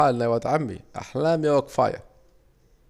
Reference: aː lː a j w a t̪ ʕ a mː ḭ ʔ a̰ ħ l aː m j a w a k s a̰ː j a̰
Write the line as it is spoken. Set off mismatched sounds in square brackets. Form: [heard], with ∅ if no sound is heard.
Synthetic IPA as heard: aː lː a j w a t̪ ʕ a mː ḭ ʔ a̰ ħ l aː m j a w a k [f] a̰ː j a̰